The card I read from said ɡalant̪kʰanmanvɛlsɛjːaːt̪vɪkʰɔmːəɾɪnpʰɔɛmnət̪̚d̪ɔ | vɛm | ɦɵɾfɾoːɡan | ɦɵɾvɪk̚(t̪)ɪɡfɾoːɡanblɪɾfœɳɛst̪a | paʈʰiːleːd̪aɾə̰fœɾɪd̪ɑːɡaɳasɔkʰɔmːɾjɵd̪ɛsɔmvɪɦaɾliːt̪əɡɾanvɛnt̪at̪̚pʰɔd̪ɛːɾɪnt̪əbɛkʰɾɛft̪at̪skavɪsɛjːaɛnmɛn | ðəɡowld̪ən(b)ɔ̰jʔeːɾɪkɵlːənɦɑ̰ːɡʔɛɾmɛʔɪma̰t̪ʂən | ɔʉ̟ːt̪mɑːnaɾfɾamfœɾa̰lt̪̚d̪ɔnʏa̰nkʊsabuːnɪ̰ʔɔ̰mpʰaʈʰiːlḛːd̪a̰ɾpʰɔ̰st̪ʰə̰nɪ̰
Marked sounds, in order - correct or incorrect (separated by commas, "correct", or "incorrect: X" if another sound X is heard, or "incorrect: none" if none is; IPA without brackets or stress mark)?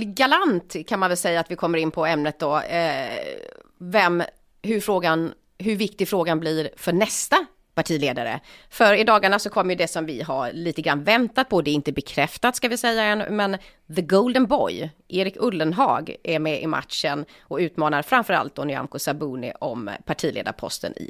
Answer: correct, correct